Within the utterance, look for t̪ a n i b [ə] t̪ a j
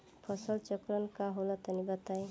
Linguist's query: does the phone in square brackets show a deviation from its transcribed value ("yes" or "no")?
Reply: yes